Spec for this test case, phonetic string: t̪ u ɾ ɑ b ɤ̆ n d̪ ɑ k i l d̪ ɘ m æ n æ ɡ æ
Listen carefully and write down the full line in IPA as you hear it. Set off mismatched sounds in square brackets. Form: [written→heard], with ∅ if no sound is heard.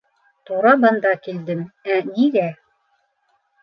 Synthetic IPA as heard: t̪ u ɾ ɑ b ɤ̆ n d̪ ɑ k i l d̪ ɘ m æ n [æ→i] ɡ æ